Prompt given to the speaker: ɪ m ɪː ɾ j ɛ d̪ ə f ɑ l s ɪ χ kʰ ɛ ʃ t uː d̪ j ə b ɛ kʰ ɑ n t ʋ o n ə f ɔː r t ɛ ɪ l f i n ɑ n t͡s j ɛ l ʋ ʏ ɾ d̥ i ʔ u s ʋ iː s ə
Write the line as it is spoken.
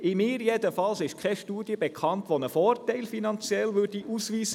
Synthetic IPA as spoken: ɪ m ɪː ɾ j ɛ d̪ ə f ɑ l s ɪ ʃ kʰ ɛ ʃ t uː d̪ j ə b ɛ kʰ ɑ n t ʋ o n ə f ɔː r t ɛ ɪ l f i n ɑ n t͡s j ɛ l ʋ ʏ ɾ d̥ i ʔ u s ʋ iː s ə